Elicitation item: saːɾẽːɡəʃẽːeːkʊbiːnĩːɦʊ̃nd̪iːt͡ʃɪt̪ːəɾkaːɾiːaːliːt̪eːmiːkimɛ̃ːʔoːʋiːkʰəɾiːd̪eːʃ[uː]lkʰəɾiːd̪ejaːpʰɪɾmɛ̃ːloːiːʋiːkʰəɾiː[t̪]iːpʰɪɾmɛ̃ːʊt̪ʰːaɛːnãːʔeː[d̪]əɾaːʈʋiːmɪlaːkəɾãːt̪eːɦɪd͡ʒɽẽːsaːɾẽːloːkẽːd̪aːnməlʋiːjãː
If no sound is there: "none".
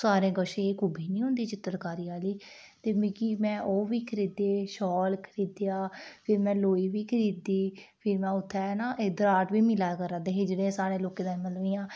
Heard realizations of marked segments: ɔː, d̪, d̪

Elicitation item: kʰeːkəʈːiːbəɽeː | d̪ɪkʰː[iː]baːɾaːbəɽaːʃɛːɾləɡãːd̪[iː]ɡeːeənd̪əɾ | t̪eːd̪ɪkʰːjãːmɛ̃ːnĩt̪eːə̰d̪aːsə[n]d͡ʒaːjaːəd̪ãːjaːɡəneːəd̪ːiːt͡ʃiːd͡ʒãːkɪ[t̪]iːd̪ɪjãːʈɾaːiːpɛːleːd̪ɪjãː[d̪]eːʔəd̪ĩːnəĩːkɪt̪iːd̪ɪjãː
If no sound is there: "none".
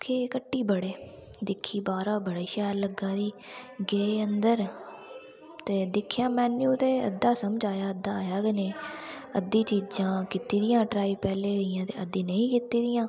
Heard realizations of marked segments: iː, iː, m, t̪, t̪

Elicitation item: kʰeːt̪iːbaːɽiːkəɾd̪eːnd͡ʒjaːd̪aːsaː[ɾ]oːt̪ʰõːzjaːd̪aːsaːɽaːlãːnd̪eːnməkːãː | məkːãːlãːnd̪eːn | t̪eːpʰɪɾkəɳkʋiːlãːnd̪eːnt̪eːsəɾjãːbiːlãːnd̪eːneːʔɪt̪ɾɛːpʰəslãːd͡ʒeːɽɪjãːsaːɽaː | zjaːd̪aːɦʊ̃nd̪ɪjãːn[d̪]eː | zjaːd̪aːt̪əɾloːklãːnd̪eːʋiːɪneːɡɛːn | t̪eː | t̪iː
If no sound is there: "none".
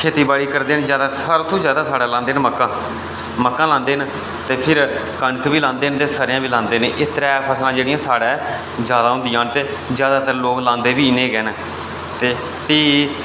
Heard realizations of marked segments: ɾ, t̪

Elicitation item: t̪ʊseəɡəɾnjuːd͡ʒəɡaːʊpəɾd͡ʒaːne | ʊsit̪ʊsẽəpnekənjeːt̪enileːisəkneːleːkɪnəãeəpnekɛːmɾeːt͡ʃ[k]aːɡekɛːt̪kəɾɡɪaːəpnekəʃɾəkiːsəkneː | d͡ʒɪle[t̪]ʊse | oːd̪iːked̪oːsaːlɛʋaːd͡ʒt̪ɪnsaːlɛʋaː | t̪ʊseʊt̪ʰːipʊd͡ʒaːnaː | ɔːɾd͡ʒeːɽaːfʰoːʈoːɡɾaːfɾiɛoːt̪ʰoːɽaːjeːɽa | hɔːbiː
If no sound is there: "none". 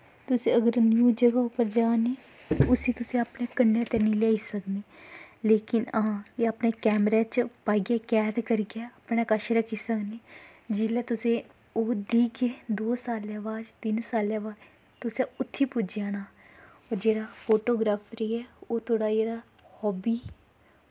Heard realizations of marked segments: p, t̪

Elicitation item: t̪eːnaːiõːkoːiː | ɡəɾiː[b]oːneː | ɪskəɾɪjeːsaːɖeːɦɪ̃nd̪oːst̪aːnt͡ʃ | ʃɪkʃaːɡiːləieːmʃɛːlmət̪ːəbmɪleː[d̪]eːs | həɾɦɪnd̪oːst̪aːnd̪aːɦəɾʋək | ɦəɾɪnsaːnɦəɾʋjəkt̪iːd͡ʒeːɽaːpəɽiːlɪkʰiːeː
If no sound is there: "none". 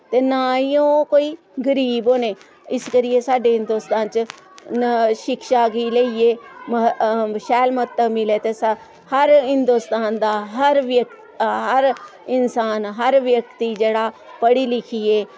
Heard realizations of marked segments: b, t̪

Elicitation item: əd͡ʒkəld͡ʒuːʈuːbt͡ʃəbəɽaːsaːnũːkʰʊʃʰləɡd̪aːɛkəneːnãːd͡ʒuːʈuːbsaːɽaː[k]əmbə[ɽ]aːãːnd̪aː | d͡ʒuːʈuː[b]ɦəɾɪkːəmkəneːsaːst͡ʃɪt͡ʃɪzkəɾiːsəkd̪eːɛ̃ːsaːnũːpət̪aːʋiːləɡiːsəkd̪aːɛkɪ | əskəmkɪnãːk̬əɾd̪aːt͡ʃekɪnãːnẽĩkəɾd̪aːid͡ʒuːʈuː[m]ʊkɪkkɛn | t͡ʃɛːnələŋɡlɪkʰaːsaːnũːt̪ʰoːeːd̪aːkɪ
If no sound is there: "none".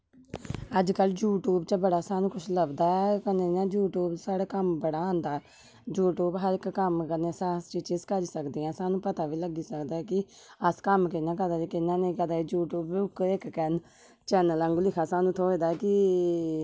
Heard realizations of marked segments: k, ɽ, b, b

